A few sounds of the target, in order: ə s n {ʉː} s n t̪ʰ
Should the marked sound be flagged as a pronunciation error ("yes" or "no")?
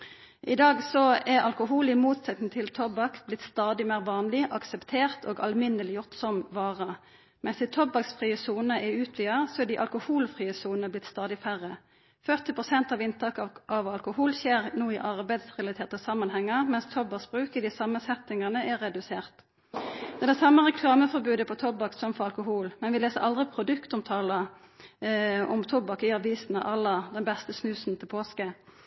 no